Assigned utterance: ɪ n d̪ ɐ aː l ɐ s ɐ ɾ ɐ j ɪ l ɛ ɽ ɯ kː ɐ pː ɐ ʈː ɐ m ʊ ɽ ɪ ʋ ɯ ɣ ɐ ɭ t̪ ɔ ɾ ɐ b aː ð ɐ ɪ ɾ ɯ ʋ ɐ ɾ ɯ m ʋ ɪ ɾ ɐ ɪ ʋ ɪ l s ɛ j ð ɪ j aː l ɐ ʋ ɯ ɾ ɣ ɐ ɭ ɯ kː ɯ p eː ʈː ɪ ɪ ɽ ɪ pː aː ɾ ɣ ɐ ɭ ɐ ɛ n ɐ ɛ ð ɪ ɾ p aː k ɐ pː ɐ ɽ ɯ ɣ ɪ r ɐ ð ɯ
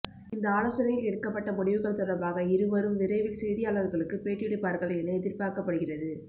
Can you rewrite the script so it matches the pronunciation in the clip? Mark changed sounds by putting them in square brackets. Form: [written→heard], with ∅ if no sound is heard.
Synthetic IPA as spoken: ɪ n d̪ ɐ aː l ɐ s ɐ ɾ ɐ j ɪ l ɛ ɽ ɯ kː ɐ pː ɐ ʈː ɐ m ʊ ɽ ɪ ʋ ɯ ɣ ɐ ɭ t̪ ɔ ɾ ɐ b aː [ð→ɣ] ɐ ɪ ɾ ɯ ʋ ɐ ɾ ɯ m ʋ ɪ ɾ ɐ ɪ ʋ ɪ l s ɛ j ð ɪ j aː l ɐ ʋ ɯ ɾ ɣ ɐ ɭ ɯ kː ɯ p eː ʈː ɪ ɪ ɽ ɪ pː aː ɾ ɣ ɐ ɭ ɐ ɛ n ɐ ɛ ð ɪ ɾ p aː k ɐ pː ɐ ɽ ɯ ɣ ɪ r ɐ ð ɯ

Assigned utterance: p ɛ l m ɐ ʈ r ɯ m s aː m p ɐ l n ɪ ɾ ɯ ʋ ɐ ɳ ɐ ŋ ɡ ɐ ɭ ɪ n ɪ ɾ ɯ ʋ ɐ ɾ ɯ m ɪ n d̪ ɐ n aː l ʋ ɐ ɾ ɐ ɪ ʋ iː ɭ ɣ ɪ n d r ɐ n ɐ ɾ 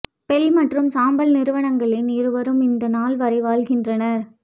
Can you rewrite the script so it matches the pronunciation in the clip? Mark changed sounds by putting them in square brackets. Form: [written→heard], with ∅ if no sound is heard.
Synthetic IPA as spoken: p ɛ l m ɐ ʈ r ɯ m s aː m [p→b] ɐ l n ɪ ɾ ɯ ʋ ɐ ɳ ɐ ŋ ɡ ɐ ɭ ɪ n ɪ ɾ ɯ ʋ ɐ ɾ ɯ m ɪ n d̪ ɐ n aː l ʋ ɐ ɾ ɐ ɪ ʋ [iː→aː] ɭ ɣ ɪ n d r ɐ n ɐ ɾ

